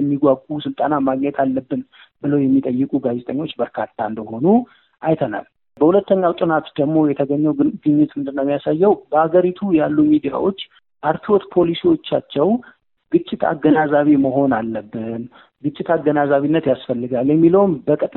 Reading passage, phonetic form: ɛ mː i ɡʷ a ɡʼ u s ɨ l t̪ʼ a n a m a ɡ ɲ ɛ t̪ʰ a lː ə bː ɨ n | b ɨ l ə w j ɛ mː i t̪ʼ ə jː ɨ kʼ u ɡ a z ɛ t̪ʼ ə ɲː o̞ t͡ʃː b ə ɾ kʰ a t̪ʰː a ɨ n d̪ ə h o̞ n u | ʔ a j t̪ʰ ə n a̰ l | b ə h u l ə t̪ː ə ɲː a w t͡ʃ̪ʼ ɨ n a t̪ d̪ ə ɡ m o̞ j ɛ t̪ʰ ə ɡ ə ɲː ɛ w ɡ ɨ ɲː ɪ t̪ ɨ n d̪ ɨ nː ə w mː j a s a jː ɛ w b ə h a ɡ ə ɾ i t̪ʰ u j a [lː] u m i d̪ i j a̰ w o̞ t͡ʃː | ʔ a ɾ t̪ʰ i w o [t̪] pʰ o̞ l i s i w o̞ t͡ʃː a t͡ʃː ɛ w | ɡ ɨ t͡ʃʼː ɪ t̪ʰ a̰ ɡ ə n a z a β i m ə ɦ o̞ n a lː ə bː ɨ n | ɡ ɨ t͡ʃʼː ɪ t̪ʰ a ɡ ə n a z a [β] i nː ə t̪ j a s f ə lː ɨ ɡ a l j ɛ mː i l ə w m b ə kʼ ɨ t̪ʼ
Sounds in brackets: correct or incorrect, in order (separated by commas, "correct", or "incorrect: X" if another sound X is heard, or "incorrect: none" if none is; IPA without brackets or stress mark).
correct, correct, correct